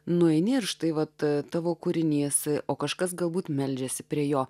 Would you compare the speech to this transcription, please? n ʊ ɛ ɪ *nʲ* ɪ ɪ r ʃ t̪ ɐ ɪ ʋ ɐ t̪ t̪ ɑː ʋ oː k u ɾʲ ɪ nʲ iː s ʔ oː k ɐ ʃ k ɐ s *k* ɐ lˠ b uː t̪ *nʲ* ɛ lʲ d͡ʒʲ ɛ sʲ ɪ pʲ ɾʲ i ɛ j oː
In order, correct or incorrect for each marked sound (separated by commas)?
correct, incorrect, incorrect